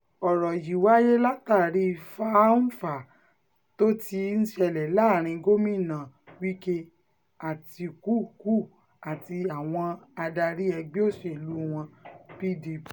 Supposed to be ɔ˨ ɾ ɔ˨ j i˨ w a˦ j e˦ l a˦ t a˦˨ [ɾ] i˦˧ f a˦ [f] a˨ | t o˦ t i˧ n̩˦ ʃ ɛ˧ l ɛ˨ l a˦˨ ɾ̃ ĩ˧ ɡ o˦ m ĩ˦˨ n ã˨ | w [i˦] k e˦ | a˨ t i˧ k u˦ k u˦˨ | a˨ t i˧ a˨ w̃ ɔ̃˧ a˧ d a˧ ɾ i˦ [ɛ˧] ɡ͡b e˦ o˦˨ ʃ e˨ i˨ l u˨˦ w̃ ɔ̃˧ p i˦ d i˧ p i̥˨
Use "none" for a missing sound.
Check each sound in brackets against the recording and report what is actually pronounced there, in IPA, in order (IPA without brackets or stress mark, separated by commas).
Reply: ɾ, f, i˦, ɛ˧